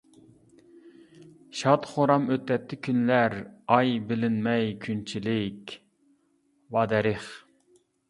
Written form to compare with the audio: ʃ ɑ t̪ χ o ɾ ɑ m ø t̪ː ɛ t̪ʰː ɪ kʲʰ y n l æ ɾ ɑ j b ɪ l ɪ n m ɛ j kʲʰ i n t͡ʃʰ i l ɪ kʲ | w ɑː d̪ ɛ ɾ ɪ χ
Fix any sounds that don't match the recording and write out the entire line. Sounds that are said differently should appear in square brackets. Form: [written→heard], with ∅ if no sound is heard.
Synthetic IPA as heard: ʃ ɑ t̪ χ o ɾ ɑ m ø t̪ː ɛ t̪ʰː ɪ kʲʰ y n l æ ɾ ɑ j b ɪ l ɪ n m ɛ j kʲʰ [i→y] n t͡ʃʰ i l ɪ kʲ | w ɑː d̪ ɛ ɾ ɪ χ